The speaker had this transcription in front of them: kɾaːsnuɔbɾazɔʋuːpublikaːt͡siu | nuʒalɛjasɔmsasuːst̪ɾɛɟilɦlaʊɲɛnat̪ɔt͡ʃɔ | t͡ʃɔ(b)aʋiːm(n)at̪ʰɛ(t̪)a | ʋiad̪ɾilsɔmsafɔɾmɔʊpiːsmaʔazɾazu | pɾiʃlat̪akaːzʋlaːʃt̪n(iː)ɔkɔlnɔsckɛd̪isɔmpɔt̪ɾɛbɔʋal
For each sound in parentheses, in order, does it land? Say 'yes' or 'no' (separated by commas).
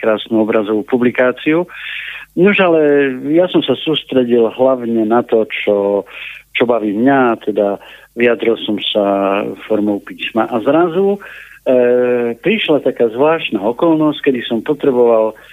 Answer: yes, no, no, no